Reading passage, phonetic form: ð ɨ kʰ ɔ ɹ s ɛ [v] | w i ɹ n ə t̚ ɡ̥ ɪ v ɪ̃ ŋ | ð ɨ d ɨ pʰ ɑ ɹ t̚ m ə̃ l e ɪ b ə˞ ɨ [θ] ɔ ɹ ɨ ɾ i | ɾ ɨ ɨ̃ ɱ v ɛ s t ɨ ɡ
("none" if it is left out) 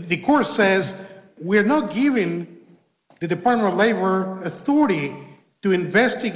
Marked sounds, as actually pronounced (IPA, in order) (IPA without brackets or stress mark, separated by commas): z, θ